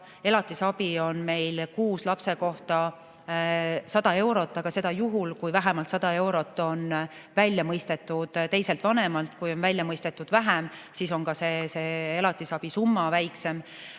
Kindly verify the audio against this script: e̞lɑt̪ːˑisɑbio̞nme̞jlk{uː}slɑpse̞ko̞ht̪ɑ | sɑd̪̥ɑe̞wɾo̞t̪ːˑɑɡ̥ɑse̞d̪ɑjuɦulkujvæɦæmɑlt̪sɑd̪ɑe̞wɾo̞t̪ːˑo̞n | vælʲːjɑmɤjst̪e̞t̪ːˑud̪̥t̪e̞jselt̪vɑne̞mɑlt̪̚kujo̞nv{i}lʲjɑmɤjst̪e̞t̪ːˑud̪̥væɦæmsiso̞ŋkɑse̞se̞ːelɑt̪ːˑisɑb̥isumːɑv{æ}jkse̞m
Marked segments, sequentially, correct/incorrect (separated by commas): correct, incorrect, correct